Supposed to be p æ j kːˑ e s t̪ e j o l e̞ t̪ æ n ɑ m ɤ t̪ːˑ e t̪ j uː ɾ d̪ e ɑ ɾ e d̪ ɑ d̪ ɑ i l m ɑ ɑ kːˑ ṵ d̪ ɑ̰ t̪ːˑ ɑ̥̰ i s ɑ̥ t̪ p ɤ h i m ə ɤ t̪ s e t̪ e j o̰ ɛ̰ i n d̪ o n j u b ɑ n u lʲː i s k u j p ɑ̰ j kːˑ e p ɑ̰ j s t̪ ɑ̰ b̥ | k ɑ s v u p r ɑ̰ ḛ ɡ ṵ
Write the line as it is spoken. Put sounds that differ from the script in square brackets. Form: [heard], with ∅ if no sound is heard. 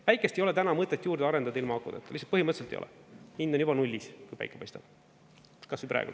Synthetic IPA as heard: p æ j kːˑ e s t̪ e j o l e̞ t̪ æ n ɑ m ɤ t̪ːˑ e t̪ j uː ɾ d̪ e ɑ ɾ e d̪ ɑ d̪ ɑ i l m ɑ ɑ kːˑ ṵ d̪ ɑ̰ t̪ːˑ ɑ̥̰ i s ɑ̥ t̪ p ɤ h i m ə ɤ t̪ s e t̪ e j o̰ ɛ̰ i n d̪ o n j u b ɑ n u lʲː i s k u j p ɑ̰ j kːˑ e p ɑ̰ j s t̪ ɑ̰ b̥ | k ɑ s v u p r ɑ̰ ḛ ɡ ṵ